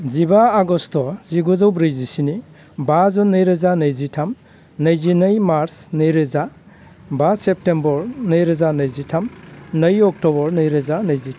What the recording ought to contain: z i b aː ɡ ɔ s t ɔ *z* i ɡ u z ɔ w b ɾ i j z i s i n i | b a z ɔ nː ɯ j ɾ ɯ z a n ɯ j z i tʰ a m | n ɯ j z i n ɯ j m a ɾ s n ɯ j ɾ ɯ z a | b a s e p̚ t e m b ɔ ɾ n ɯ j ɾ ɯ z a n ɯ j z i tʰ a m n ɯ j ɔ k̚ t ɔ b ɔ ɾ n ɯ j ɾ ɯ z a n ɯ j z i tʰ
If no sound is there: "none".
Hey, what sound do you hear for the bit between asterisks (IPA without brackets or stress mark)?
z